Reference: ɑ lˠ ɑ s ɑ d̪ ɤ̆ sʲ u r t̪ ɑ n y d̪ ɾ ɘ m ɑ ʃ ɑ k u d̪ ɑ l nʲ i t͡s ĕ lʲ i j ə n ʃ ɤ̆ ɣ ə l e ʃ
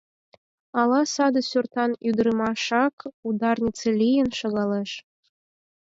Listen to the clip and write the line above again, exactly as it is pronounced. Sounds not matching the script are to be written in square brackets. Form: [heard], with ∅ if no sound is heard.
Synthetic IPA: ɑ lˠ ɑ s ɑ d̪ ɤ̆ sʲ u r t̪ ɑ n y d̪ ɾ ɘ m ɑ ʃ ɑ k u d̪ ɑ [r] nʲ i t͡s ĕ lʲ i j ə n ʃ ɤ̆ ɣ [ɑ] l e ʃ